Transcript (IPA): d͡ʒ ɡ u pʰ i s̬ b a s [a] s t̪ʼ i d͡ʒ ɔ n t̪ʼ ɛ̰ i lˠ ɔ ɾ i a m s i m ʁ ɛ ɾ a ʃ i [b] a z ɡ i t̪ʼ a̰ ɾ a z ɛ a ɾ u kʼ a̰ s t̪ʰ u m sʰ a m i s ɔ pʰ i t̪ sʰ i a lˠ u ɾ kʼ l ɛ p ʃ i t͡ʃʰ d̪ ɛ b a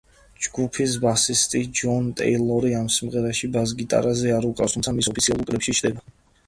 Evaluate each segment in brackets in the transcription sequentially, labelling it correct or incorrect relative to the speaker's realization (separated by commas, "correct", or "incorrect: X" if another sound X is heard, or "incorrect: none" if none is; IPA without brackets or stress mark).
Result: incorrect: i, correct